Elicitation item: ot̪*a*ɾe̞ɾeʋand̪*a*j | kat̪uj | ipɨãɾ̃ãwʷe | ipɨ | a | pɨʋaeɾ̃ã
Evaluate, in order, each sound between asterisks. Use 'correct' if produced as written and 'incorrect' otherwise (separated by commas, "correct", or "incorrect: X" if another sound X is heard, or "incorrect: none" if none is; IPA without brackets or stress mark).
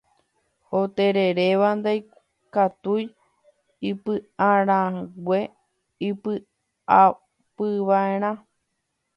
incorrect: e, correct